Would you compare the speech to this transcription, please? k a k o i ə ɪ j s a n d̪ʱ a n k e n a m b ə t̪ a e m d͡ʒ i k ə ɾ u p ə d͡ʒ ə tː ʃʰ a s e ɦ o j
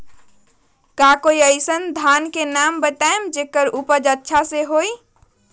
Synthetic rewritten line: k a k o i ə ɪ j s ə n d̪ʱ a n k e n a m b ə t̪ a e m d͡ʒ e k ə ɾ u p ə d͡ʒ ə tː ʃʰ a s e ɦ o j